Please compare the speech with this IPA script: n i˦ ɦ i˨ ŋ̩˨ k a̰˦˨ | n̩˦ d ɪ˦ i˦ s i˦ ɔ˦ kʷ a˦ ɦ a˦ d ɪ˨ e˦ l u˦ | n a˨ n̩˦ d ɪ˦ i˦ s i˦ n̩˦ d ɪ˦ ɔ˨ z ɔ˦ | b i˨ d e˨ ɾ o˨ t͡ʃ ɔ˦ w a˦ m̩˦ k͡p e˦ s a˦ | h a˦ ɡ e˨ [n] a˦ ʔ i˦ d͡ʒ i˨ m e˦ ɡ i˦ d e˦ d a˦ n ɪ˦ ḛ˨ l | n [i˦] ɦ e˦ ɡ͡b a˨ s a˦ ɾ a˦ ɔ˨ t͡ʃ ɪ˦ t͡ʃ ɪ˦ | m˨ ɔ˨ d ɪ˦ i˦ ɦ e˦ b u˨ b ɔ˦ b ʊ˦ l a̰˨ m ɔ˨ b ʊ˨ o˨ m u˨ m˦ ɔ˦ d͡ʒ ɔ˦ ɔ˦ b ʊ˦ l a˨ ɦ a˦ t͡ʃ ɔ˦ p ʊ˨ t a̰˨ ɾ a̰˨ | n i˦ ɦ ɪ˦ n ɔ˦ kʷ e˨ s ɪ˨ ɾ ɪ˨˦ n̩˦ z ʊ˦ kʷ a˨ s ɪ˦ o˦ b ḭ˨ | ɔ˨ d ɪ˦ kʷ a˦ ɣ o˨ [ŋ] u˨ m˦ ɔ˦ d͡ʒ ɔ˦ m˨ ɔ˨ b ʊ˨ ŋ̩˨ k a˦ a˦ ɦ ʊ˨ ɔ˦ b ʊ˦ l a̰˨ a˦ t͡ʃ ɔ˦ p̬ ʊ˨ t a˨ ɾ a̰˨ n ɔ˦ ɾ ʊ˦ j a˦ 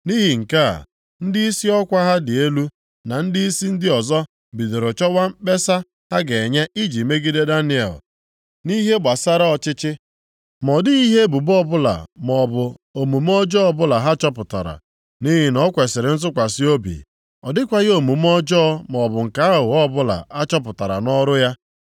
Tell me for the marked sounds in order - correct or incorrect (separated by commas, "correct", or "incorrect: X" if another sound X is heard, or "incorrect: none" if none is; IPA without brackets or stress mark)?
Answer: incorrect: ɲ, correct, incorrect: m